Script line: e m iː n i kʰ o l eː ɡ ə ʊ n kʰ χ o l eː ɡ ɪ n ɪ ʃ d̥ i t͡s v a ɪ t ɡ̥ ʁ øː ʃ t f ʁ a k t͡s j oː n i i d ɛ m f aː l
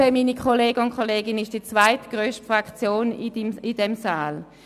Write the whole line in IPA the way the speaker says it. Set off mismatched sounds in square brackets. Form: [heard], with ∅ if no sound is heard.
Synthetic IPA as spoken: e m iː n i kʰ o l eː ɡ ə ʊ n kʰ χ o l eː ɡ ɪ n ɪ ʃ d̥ i t͡s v a ɪ t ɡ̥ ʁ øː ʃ t f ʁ a k t͡s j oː n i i d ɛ m [s] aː l